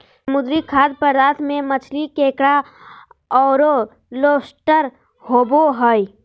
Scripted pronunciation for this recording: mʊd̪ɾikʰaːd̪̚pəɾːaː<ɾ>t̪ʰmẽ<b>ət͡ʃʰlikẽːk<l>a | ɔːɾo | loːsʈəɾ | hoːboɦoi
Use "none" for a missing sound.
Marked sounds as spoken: none, m, ɽ

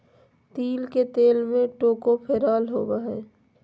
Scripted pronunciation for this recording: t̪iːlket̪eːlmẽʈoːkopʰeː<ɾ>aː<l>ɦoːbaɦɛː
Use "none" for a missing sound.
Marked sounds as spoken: ɾ, l

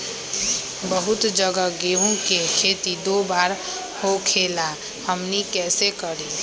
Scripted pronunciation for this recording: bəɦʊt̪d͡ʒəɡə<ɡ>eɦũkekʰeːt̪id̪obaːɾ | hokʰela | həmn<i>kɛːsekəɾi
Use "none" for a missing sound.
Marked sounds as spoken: ɡ, i

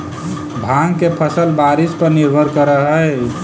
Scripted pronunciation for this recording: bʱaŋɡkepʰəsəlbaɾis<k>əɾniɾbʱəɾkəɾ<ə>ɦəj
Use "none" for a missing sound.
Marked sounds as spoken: p, ə

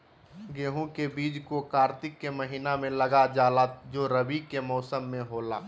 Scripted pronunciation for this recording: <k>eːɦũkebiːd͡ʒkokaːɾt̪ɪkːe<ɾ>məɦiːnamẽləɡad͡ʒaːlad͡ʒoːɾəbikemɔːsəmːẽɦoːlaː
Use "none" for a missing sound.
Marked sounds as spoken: ɡ, none

